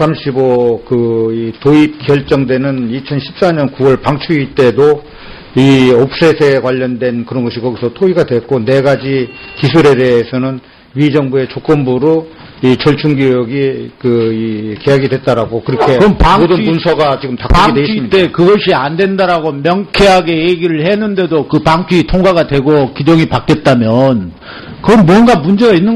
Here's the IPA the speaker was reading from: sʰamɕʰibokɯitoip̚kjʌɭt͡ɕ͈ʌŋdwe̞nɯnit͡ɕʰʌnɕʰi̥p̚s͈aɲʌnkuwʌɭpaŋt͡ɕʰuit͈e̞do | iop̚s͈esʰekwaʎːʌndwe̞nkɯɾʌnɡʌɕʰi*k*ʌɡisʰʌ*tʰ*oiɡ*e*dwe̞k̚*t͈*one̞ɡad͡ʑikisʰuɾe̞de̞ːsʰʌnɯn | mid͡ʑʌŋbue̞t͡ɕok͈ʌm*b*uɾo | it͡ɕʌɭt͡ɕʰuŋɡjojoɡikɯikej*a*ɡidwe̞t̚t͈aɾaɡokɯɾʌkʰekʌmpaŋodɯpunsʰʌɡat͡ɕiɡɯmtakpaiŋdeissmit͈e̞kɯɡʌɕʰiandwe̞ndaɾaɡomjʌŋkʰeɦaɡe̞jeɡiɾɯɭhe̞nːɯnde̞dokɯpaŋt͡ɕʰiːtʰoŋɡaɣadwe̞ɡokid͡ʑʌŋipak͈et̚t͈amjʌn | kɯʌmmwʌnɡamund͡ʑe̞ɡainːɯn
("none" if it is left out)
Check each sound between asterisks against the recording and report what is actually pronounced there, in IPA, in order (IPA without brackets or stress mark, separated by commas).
k, tʰ, a, k͈, b, a